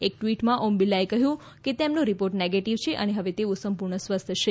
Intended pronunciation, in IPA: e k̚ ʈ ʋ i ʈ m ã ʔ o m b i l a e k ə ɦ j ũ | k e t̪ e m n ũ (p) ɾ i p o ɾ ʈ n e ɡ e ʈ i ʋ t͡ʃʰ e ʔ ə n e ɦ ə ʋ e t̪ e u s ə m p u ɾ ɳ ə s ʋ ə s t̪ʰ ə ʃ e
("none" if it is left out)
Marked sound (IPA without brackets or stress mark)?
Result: none